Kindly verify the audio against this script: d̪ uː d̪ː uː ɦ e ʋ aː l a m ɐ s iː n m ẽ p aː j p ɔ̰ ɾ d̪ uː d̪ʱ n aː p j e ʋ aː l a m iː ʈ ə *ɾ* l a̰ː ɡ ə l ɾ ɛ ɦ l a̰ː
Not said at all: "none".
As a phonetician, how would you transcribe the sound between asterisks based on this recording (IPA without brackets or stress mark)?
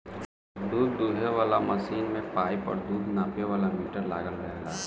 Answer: ɾ